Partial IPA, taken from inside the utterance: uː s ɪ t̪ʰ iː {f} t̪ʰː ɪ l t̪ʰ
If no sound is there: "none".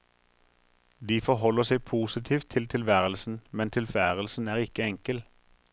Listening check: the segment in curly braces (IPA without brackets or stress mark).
f